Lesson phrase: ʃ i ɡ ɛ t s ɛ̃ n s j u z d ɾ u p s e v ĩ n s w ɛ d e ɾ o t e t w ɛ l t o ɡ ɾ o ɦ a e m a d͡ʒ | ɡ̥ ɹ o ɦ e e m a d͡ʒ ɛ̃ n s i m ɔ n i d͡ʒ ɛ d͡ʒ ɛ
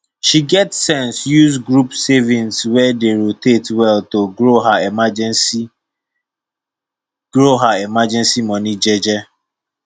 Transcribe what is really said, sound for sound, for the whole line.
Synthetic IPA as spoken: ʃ i ɡ ɛ t s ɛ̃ n s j u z ɡ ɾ u p s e v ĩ n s w ɛ d e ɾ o t e t w ɛ l t o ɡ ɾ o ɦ a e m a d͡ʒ | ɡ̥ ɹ o ɦ a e m a d͡ʒ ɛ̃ n s i m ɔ n i d͡ʒ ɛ d͡ʒ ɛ